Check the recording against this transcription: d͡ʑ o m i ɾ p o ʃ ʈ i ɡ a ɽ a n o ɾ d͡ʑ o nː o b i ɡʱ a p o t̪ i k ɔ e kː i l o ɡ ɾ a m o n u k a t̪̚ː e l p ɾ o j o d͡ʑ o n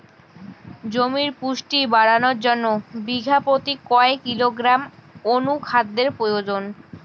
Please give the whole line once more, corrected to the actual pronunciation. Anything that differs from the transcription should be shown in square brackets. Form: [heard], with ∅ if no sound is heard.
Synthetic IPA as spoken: d͡ʑ o m i ɾ p [u] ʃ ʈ i [b] a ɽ a n o ɾ d͡ʑ o nː o b i ɡʱ a p o t̪ i k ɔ e kː i l o ɡ ɾ a m o n u [kʰ] a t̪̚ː e [ɾ] p ɾ o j o d͡ʑ o n

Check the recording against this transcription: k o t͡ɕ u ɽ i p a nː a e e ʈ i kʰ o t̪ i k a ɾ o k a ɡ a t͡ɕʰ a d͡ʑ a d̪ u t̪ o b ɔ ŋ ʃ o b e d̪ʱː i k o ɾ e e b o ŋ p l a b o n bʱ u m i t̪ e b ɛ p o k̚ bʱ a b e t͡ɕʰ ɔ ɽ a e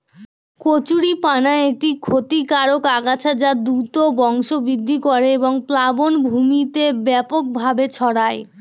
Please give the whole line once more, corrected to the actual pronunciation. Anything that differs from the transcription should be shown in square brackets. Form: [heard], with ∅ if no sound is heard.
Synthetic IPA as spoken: k o t͡ɕ u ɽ i p a [n] a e e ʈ i kʰ o t̪ i k a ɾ o k a ɡ a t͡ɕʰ a d͡ʑ a d̪ u t̪ o b ɔ ŋ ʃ o b [i] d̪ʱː i k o ɾ e e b o ŋ p l a b o n bʱ u m i t̪ e b ɛ p o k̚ bʱ a b e t͡ɕʰ ɔ ɽ a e

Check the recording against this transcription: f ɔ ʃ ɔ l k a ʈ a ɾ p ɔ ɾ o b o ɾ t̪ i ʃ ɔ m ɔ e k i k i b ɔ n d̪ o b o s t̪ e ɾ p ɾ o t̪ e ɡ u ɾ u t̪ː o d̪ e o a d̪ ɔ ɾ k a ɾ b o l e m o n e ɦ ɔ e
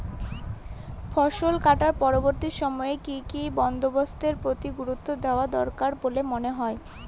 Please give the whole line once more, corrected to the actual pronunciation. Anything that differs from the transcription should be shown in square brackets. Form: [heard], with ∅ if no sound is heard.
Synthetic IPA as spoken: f ɔ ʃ [o] l k a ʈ a ɾ p ɔ ɾ o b o ɾ t̪ i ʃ ɔ m ɔ e k i k i b ɔ n d̪ o b o s t̪ e ɾ p ɾ o t̪ [i] ɡ u ɾ u t̪ː o d̪ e o a d̪ ɔ ɾ k a ɾ b o l e m o n e ɦ ɔ e

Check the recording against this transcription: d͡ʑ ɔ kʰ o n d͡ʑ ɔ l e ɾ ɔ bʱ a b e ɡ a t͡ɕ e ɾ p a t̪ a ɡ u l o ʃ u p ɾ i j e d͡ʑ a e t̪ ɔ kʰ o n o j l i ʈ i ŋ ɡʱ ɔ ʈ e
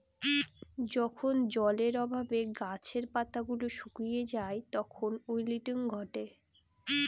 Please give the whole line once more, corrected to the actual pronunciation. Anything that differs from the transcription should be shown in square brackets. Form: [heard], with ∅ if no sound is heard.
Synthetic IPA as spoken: d͡ʑ ɔ kʰ o n d͡ʑ ɔ l e ɾ ɔ bʱ a b e ɡ a [t͡ɕʰ] e ɾ p a t̪ a ɡ u l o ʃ u [k] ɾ i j e d͡ʑ a e t̪ ɔ kʰ o n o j l i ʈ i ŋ ɡʱ ɔ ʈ e

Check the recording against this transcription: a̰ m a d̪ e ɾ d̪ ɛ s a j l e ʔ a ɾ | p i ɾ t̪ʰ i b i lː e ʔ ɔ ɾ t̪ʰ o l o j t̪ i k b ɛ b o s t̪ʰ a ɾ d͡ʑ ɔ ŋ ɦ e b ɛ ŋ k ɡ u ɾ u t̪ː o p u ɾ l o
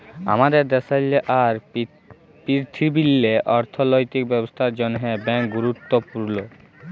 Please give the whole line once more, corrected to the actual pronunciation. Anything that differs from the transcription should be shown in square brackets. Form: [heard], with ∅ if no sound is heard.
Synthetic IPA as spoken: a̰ m a d̪ e ɾ d̪ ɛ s a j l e ʔ a ɾ | p i ɾ t̪ʰ i b i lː e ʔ ɔ ɾ t̪ʰ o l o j t̪ i k b ɛ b o s t̪ʰ a ɾ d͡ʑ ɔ [n] ɦ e b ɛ ŋ k ɡ u ɾ u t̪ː o p u ɾ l o

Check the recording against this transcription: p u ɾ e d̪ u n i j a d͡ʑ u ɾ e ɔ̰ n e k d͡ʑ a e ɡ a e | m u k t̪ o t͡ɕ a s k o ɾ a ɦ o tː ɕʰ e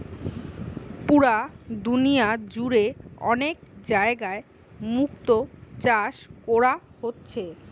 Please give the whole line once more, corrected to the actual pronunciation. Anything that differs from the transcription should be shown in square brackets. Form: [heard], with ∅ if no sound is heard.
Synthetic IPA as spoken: p u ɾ [a] d̪ u n i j a d͡ʑ u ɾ e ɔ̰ n e k d͡ʑ a e ɡ a e | m u k t̪ o t͡ɕ a [ʃ] k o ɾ a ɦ o tː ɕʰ e

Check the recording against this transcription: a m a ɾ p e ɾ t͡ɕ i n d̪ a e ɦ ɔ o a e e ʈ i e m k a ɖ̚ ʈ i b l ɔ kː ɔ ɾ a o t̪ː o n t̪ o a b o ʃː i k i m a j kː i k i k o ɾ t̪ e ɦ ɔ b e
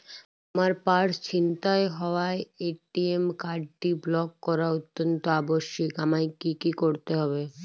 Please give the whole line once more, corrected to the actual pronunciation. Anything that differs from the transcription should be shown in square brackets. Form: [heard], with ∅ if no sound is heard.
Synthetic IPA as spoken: a m a ɾ p [a] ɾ t͡ɕ i n [t̪] a e ɦ ɔ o a e e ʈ i e m k a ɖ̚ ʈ i b l ɔ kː ɔ ɾ a o t̪ː o n t̪ o a b o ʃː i k [a] m a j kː i k i k o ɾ t̪ e ɦ ɔ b e

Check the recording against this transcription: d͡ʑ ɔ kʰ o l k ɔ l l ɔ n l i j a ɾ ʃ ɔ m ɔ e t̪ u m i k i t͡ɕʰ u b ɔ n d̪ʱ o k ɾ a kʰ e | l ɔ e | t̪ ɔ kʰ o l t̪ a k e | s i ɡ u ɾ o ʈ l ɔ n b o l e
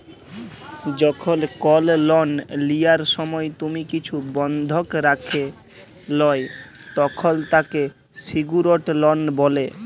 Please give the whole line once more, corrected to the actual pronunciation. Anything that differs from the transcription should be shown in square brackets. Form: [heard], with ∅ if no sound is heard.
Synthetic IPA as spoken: d͡ʑ ɔ kʰ o l k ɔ l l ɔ n l i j a ɾ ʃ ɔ m ɔ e t̪ u m i k i t͡ɕʰ u b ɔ n d̪ʱ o k ɾ a kʰ e | l ɔ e | t̪ ɔ kʰ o l t̪ a k e | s i ɡ u ɾ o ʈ l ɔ n b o l e

